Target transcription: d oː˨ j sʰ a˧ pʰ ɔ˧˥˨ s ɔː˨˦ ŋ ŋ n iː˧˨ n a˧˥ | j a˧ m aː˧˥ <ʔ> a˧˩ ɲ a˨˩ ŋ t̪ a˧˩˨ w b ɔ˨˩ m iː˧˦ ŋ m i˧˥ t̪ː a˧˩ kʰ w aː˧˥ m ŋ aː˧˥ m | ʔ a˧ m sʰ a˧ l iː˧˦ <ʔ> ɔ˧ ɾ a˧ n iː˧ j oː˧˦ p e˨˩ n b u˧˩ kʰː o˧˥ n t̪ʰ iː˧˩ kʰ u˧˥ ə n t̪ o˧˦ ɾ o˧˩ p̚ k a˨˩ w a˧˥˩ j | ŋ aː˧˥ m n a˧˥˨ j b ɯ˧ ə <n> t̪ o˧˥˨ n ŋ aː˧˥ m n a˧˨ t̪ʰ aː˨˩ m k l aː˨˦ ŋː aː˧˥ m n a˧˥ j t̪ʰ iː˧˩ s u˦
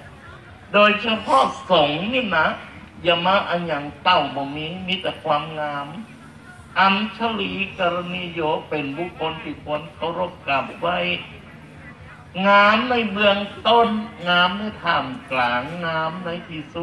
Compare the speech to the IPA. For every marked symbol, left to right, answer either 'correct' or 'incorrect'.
correct, incorrect: k, incorrect: ŋ

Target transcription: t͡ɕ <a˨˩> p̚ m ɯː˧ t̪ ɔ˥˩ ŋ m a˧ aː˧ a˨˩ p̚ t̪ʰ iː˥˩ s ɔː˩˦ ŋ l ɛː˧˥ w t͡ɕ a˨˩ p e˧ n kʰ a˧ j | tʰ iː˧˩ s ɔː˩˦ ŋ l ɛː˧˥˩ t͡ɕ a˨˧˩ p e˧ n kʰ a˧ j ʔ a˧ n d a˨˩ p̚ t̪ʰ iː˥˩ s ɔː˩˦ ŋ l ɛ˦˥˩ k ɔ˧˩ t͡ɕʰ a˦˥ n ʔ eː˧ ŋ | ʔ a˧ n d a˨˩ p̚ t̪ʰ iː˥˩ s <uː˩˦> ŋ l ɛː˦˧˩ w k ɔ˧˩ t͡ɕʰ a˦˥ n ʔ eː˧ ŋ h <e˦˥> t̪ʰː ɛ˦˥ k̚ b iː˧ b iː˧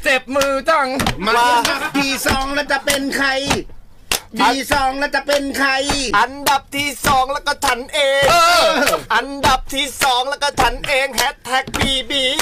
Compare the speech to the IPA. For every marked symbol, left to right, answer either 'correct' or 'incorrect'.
incorrect: e˨˩, incorrect: ɔː˩˦, incorrect: ɛ˦˥

